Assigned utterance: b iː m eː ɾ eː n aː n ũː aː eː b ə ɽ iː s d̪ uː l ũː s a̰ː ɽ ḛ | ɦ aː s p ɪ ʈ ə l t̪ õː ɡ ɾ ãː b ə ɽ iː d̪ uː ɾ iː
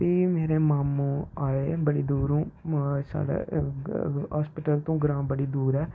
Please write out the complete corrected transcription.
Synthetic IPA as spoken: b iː m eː ɾ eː m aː m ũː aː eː b ə ɽ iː d̪ uː ɾ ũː s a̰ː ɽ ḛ | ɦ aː s p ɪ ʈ ə l t̪ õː ɡ ɾ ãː b ə ɽ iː d̪ uː ɾ ɛː

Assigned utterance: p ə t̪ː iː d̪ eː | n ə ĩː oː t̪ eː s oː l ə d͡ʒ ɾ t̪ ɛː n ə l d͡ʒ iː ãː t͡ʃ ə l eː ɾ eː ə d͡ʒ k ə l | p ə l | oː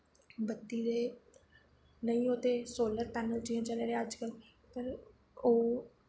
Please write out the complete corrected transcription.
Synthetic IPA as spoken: b ə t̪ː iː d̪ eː | n ə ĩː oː t̪ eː s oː l ə ɾ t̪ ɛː n ə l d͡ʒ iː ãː t͡ʃ ə l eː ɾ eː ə d͡ʒ k ə l | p ə ɾ | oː

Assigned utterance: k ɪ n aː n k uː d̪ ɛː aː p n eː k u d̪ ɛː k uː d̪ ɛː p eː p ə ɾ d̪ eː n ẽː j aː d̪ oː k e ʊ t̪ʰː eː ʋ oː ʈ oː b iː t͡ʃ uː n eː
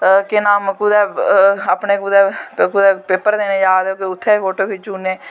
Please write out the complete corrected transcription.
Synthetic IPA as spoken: k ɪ n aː m k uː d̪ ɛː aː p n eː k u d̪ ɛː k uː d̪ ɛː p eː p ə ɾ d̪ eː n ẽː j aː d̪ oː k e ʊ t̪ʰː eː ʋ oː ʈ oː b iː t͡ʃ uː n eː

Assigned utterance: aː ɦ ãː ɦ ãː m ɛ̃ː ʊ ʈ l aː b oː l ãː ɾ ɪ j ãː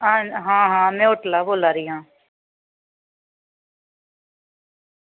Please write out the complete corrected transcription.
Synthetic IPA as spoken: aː ɦ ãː ɦ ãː m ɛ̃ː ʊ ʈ l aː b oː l aː ɾ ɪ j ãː

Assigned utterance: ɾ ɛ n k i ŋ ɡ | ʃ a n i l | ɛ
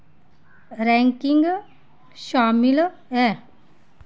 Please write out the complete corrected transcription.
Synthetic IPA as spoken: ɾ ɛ ŋ k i ŋ ɡ | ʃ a m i l | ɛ

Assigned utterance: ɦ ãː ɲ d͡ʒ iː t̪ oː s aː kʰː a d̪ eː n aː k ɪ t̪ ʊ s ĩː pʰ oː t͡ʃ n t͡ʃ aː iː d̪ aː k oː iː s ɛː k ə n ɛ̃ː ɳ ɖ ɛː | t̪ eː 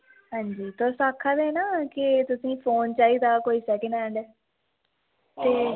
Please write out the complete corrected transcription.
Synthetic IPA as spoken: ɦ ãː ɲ d͡ʒ iː t̪ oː s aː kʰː a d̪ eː n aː k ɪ t̪ ʊ s ĩː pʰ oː n t͡ʃ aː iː d̪ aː k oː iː s ɛː k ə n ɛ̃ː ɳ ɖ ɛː | t̪ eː

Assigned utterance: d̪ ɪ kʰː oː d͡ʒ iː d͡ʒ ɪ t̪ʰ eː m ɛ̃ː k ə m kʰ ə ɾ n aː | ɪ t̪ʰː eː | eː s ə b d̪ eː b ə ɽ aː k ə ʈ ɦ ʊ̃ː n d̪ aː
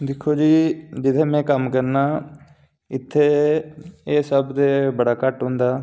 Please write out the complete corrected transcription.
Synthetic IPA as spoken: d̪ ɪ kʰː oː d͡ʒ iː d͡ʒ ɪ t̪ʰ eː m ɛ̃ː k ə m k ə ɾ n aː | ɪ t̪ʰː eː | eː s ə b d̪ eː b ə ɽ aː k ə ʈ ɦ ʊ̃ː n d̪ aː

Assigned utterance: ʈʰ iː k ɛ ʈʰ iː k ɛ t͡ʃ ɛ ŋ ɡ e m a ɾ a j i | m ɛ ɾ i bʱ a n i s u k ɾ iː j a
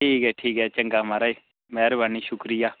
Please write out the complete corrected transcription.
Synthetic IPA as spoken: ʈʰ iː k ɛ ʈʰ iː k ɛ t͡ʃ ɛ ŋ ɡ a m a ɾ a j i | m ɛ ɾ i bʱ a n i ʃ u k ɾ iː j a

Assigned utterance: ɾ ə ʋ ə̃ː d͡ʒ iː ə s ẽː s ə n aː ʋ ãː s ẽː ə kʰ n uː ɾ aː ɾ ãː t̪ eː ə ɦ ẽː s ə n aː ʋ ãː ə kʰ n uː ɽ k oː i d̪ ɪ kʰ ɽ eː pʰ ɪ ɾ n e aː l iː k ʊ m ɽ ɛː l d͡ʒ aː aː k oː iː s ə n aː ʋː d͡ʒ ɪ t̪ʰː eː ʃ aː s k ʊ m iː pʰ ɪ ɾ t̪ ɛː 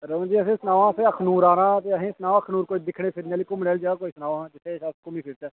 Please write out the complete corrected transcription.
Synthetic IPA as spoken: ɾ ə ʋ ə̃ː d͡ʒ iː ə s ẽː s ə n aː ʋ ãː s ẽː ə kʰ n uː ɾ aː ɾ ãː t̪ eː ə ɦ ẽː s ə n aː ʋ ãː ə kʰ n uː ɾ k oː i d̪ ɪ kʰ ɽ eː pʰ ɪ ɾ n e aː l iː k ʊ m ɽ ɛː l d͡ʒ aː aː k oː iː s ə n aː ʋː d͡ʒ ɪ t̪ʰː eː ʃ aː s k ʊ m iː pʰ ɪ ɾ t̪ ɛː

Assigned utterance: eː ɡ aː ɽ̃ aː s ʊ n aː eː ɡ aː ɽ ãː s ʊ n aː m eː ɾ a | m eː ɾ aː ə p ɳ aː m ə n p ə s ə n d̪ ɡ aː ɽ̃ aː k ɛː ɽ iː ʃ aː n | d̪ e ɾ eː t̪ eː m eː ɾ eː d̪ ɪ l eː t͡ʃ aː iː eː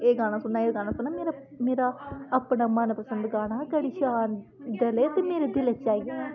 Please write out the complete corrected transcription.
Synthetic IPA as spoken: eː ɡ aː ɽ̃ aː s ʊ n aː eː ɡ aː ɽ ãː s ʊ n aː m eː ɾ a | m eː ɾ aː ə p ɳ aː m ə n p ə s ə n d̪ ɡ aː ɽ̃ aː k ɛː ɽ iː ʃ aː n | d̪ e l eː t̪ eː m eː ɾ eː d̪ ɪ l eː t͡ʃ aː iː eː

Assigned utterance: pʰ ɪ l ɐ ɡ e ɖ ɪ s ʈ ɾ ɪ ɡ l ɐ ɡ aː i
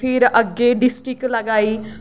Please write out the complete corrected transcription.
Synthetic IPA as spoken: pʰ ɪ ɾ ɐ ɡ e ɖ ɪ s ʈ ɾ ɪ k l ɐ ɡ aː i

